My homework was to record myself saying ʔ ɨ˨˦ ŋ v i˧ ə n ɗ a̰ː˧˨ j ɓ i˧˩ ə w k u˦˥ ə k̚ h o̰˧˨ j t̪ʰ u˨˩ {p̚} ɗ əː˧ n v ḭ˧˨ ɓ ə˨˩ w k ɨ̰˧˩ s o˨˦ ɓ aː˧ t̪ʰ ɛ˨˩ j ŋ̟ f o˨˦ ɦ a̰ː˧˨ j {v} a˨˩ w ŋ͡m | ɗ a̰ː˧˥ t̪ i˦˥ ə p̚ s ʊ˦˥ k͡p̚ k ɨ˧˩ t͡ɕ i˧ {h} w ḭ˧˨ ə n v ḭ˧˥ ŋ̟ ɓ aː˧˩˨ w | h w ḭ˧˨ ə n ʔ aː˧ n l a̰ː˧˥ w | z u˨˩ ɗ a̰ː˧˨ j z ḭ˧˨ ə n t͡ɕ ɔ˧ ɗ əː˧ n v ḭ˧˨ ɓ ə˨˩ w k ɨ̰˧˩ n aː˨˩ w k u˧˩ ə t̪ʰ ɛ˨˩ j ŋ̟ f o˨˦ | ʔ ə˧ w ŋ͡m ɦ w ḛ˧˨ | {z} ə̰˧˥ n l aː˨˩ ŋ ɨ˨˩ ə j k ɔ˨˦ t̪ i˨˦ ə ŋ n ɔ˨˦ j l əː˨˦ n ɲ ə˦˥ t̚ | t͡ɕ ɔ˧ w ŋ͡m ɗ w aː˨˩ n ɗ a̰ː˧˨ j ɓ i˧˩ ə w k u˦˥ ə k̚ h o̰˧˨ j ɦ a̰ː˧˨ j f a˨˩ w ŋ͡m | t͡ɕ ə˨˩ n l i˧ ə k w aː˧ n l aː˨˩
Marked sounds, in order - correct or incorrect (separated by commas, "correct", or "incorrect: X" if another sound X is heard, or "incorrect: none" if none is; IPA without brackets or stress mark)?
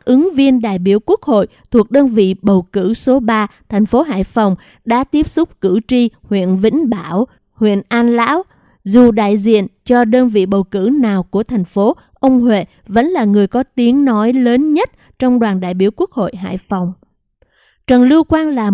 incorrect: k̚, incorrect: f, correct, incorrect: v